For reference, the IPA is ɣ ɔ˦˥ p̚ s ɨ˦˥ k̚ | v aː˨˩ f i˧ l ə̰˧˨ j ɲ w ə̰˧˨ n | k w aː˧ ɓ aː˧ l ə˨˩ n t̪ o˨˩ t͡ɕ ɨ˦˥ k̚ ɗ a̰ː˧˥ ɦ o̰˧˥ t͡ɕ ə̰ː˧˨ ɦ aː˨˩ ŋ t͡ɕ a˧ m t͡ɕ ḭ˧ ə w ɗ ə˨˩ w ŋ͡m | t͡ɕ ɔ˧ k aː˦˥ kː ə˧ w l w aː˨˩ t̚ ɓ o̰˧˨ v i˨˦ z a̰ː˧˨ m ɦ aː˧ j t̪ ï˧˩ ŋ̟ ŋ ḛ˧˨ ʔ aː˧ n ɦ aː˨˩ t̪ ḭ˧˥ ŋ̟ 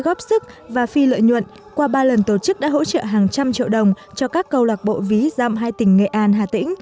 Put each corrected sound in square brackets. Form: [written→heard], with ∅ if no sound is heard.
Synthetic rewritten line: ɣ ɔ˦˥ p̚ s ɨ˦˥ k̚ | v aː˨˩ f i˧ l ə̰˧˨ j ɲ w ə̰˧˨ n | k w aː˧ ɓ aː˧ l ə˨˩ n t̪ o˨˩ t͡ɕ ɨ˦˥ k̚ ɗ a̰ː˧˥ ɦ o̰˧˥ t͡ɕ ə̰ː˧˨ ɦ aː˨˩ ŋ t͡ɕ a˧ m t͡ɕ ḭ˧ ə w ɗ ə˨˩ w ŋ͡m | t͡ɕ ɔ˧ k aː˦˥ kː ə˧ w l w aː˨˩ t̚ ɓ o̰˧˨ v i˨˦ z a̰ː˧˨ m ɦ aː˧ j t̪ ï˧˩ ŋ̟ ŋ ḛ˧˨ ʔ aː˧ n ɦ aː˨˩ t̪ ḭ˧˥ ŋ̟